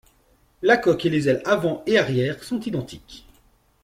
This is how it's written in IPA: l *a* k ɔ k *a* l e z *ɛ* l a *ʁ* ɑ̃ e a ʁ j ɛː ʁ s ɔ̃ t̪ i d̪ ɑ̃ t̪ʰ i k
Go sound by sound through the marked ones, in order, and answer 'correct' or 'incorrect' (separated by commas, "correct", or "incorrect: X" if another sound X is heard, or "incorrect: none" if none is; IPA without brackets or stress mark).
correct, incorrect: e, correct, incorrect: v